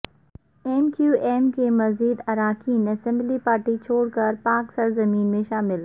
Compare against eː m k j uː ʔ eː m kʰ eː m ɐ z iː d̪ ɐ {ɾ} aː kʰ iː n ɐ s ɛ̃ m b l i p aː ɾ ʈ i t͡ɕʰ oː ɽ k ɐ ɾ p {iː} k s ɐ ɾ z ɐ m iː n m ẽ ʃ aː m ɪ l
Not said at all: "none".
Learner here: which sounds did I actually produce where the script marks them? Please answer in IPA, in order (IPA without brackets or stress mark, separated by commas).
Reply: ɾ, aː